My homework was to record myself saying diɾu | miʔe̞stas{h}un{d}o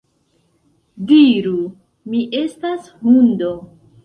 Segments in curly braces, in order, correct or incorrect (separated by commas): correct, correct